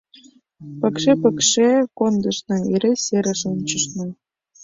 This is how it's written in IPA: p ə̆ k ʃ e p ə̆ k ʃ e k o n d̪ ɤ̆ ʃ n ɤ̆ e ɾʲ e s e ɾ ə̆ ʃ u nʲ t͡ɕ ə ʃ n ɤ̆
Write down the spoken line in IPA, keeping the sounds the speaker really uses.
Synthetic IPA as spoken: p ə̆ k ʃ e p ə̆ k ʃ e k o n d̪ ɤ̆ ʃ n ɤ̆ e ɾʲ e s e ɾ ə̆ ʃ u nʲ t͡ɕ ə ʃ n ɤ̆